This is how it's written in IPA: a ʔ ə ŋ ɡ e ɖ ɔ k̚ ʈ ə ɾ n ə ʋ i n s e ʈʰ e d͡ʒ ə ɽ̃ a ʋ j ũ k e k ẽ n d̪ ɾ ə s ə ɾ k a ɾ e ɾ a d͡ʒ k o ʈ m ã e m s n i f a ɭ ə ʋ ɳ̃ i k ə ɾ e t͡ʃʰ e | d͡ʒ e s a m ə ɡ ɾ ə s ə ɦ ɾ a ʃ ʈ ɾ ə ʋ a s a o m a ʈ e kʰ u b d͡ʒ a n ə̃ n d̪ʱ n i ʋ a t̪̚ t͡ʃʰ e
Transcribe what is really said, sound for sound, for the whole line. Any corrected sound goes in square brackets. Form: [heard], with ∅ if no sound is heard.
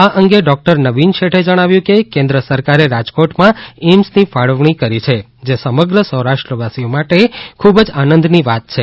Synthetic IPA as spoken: a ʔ ə ŋ ɡ e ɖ ɔ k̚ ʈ ə ɾ n ə ʋ i n [ʃ] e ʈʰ e d͡ʒ ə ɽ̃ a ʋ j ũ k e k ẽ n d̪ ɾ ə s ə ɾ k a ɾ e ɾ a d͡ʒ k o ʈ m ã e m s n i f a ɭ ə ʋ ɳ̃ i k ə ɾ [i] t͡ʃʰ e | d͡ʒ e s [ə] m ə ɡ ɾ ə s ə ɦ ɾ a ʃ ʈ ɾ ə ʋ a s [i] o m a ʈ e kʰ u b d͡ʒ a n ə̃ n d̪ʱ n i ʋ a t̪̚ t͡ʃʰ e